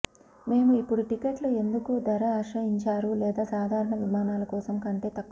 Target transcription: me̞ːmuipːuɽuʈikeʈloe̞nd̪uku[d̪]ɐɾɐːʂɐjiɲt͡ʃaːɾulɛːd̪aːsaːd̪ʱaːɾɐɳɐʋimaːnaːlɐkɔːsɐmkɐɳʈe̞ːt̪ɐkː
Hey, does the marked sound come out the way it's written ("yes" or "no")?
yes